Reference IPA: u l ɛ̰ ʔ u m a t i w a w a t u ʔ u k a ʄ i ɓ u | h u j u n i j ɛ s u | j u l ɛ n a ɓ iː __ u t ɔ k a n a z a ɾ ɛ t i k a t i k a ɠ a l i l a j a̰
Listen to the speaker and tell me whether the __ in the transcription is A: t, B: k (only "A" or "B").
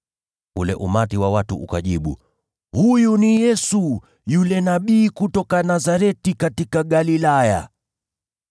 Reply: B